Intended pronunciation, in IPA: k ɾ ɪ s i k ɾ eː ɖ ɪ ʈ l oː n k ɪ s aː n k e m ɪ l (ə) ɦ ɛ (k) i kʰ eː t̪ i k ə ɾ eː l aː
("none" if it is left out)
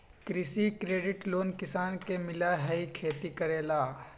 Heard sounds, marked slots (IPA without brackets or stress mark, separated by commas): a, none